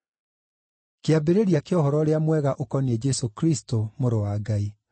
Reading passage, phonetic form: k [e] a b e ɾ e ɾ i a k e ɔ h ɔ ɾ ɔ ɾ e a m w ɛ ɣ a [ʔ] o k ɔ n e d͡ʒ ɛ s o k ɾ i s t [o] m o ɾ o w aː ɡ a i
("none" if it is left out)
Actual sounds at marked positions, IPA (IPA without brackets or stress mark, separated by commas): e, ʔ, o